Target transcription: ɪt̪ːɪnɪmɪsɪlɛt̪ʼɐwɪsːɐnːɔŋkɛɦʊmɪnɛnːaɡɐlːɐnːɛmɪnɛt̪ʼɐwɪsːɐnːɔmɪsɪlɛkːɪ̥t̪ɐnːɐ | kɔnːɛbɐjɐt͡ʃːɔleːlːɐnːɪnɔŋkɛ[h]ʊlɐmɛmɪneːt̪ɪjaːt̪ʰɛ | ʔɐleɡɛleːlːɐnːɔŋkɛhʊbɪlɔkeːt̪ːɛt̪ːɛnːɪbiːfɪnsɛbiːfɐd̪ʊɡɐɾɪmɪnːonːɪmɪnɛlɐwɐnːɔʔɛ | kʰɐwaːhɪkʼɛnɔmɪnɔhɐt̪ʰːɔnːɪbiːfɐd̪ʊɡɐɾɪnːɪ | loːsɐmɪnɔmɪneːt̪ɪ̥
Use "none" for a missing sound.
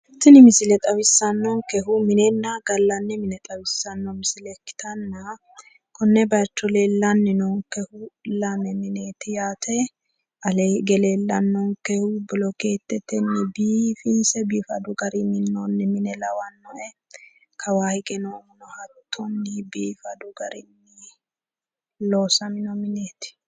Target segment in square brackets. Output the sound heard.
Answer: h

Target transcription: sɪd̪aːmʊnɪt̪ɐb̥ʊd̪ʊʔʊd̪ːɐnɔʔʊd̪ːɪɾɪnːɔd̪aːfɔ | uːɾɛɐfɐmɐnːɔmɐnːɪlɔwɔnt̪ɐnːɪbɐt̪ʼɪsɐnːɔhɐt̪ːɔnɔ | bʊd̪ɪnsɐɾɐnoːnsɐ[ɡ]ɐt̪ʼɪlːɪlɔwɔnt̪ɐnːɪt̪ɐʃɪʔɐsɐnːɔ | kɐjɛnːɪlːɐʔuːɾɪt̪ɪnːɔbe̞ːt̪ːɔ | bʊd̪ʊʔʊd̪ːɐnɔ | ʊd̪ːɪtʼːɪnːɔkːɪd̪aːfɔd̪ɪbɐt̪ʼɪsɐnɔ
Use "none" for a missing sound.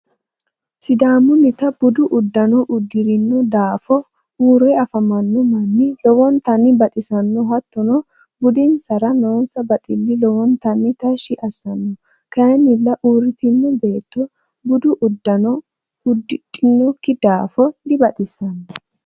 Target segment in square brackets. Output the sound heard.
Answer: b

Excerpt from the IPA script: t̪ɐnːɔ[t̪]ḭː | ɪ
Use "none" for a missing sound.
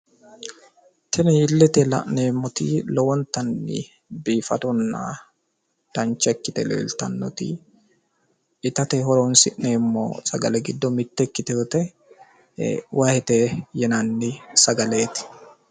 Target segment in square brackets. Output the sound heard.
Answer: t̪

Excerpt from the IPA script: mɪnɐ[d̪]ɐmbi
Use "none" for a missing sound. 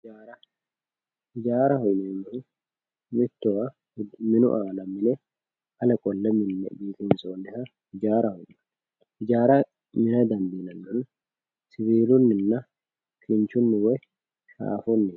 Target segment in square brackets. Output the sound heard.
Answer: d̪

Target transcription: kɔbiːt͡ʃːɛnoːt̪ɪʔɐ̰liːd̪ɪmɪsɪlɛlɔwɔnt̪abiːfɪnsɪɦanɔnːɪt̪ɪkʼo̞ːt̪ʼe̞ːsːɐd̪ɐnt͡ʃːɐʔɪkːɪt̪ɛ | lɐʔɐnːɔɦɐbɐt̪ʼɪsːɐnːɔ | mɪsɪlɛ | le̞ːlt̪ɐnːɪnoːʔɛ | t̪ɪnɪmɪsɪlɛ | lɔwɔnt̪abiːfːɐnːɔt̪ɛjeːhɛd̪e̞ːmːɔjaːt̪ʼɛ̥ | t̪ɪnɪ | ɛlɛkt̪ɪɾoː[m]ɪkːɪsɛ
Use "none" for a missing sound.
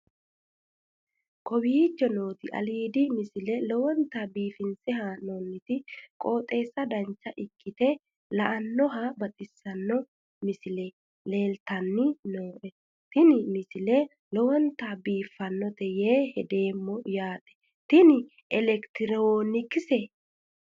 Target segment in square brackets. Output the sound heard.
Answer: n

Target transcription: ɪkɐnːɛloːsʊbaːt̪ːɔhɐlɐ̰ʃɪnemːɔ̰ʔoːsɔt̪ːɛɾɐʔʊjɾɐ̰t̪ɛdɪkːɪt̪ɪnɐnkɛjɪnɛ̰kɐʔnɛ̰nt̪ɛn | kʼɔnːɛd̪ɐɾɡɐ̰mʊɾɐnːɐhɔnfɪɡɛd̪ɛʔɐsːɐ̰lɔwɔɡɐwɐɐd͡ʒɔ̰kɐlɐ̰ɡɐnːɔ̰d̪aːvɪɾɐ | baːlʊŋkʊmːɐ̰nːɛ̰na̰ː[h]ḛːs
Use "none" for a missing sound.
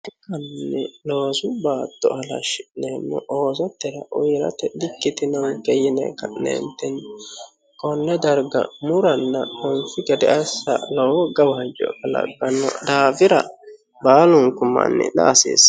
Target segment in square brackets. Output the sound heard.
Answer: s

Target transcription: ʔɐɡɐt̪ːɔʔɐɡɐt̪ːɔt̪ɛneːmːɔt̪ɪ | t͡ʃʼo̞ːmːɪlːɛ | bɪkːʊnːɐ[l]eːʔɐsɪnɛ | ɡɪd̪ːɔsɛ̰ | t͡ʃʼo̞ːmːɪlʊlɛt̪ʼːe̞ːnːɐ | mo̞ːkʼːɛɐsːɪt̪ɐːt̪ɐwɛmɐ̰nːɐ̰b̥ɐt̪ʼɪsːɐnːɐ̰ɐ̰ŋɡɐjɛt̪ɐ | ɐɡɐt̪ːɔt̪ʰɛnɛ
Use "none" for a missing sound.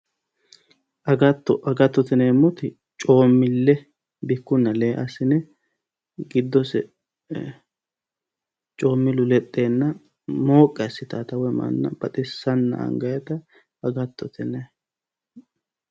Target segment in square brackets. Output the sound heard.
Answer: l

